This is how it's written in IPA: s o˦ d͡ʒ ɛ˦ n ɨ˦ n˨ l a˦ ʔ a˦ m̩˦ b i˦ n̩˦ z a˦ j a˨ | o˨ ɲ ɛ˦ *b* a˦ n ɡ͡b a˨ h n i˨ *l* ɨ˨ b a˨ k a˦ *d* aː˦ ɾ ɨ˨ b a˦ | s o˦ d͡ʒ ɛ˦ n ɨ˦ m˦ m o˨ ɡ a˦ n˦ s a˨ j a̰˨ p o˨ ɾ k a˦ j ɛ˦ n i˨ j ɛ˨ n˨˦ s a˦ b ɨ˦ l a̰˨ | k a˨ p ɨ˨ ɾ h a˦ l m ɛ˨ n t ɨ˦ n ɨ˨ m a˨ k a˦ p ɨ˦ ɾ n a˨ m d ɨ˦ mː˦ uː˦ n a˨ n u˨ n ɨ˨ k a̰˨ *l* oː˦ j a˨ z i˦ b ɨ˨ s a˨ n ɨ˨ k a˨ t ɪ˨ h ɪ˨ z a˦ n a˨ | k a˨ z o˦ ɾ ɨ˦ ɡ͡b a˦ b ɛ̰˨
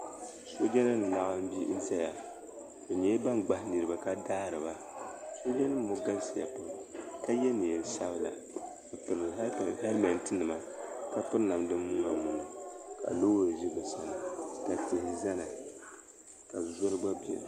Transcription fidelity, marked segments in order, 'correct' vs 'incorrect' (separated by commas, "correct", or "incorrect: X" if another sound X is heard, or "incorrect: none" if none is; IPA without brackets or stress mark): correct, incorrect: ɾ, correct, correct